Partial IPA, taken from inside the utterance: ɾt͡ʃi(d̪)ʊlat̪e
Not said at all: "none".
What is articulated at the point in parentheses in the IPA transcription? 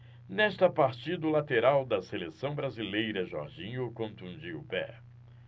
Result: d̪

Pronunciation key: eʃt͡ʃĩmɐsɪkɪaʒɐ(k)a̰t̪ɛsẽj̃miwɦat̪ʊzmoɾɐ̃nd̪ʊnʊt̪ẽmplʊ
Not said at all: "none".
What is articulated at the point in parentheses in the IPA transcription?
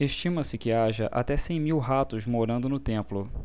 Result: ʔ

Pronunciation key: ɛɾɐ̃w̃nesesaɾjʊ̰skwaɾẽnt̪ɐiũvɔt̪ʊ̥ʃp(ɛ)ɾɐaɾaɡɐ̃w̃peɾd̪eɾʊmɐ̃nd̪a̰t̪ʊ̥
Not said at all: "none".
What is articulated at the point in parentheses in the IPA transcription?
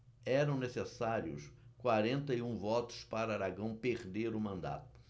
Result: a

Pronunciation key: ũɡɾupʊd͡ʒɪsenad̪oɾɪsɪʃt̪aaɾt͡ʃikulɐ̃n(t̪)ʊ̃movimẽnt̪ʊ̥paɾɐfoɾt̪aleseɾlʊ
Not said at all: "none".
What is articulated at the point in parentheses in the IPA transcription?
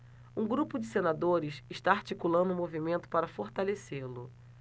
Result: d̪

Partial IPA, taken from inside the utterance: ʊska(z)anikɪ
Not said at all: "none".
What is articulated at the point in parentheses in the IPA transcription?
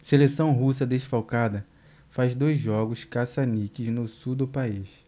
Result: s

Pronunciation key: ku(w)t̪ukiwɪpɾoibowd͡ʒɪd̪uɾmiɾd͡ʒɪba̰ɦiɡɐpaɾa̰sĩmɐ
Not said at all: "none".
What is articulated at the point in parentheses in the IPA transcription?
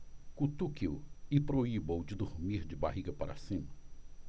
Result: none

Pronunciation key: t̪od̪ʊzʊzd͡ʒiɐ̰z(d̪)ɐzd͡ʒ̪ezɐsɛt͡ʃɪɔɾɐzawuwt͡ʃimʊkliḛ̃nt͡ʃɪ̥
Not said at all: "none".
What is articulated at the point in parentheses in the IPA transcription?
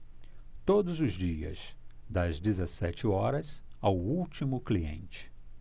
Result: d̪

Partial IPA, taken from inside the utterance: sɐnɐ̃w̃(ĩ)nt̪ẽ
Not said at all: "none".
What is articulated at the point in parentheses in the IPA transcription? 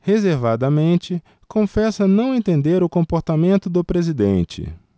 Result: ẽ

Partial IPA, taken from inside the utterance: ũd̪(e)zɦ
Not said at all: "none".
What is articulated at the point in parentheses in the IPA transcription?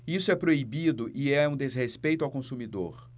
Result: e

